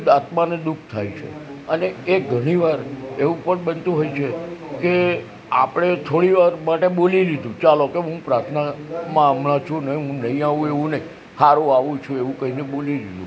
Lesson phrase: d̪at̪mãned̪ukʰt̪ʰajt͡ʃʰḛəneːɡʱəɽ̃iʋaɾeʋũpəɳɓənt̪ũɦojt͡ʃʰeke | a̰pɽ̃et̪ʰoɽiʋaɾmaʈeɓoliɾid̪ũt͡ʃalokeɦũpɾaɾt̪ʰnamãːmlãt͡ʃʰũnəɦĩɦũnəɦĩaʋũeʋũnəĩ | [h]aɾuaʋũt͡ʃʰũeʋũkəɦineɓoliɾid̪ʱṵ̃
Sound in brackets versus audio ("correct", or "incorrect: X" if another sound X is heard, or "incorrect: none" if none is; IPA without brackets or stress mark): correct